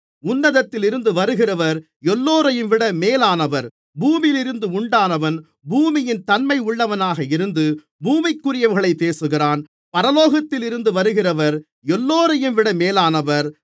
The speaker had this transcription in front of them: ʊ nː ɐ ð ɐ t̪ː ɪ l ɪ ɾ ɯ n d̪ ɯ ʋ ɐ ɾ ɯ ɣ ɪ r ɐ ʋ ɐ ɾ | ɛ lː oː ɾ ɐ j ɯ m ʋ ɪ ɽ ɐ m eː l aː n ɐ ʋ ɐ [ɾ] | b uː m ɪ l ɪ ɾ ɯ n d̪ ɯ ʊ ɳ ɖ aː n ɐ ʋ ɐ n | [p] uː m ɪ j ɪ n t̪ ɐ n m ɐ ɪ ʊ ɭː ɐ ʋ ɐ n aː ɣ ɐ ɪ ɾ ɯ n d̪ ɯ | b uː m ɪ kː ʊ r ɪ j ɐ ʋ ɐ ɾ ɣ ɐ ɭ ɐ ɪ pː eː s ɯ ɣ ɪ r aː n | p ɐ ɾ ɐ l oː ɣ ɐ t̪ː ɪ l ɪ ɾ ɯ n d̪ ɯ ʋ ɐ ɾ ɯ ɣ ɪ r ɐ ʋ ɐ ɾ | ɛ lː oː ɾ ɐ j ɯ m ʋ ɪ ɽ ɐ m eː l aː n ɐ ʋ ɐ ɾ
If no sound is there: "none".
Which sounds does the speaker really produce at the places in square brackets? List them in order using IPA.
ɾ, b

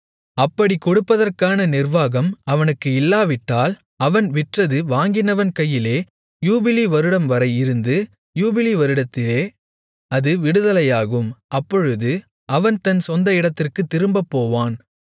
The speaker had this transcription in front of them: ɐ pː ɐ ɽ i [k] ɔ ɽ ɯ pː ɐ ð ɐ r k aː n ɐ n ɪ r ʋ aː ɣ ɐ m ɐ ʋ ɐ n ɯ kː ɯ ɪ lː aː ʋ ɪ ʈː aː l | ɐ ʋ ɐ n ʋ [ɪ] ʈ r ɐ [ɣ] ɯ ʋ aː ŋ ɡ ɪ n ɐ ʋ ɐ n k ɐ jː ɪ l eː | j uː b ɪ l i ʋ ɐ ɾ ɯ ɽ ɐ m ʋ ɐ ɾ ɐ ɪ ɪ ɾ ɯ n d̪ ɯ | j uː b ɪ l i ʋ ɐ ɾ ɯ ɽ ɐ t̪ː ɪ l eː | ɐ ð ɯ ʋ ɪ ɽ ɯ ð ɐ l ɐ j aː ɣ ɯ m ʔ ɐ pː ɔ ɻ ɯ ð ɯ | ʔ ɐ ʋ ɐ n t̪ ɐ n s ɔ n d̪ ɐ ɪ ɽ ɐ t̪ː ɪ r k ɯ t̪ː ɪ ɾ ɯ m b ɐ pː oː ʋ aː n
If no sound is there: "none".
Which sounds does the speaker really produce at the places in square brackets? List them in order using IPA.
k, ɪ, ð

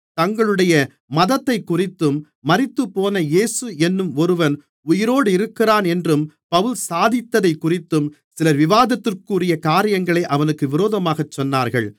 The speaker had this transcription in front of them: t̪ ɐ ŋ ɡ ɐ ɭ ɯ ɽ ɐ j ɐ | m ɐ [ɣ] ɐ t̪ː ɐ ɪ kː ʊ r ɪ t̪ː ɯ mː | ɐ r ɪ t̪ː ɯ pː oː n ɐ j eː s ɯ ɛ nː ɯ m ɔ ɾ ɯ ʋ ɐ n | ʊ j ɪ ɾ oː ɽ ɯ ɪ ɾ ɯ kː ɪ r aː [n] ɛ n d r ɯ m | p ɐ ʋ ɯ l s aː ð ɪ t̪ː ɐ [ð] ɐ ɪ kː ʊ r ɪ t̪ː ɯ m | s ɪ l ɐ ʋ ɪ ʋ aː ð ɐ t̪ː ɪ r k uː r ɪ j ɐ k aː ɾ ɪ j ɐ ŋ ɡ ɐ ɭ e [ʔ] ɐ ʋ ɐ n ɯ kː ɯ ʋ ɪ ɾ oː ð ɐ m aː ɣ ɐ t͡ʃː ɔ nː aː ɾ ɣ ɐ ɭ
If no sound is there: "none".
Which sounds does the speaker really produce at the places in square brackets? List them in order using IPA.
ð, n, ð, ʔ

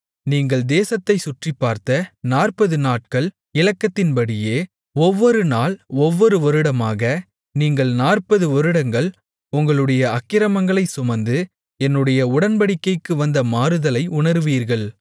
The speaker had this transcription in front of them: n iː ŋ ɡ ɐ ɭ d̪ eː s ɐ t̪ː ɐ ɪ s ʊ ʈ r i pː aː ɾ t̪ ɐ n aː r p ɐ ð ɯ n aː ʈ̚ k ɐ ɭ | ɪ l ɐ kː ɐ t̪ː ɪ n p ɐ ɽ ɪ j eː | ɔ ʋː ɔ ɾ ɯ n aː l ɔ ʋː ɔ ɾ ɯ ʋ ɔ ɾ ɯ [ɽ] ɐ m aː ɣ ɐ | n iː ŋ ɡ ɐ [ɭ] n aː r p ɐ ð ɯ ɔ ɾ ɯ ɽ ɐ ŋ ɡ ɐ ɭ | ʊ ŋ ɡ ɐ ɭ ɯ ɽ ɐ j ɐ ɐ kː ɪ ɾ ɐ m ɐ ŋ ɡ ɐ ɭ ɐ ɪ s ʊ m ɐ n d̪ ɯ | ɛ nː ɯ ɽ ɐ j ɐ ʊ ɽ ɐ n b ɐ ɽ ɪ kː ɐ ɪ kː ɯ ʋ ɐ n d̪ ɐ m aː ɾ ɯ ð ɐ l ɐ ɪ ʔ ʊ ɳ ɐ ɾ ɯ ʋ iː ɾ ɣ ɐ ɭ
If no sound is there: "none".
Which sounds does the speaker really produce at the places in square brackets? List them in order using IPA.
ɽ, ɭ

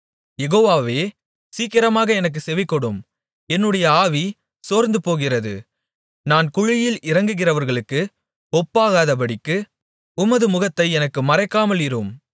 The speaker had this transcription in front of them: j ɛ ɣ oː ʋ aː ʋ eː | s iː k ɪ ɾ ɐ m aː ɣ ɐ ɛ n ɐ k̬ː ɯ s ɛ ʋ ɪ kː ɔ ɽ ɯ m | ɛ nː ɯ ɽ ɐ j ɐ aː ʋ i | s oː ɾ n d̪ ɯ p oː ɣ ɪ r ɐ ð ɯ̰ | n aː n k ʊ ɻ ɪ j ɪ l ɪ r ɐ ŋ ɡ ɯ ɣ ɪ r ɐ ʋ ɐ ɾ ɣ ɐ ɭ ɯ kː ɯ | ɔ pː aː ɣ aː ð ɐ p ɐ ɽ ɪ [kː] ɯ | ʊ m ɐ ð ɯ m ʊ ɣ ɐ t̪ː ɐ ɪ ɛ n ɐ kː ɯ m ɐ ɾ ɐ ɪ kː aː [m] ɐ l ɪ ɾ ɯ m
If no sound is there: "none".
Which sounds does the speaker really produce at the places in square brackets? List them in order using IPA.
kː, m

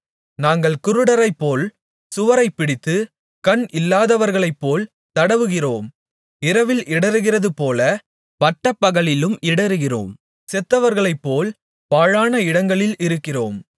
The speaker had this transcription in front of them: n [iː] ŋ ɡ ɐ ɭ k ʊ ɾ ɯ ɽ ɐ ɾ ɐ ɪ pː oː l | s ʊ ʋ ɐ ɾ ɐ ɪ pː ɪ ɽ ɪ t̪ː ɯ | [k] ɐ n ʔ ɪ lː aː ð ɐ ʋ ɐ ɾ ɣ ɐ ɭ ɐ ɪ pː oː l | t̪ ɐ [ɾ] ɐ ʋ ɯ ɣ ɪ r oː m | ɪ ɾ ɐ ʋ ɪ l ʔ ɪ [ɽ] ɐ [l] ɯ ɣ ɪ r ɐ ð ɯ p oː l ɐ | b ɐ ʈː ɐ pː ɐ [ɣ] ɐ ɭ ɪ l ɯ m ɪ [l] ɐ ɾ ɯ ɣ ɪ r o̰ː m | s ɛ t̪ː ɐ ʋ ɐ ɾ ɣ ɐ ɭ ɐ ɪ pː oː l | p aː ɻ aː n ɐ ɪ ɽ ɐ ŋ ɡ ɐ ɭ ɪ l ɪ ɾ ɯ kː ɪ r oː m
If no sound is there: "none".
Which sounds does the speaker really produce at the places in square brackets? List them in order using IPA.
aː, k, ɽ, ɽ, ɾ, ɣ, ɽ

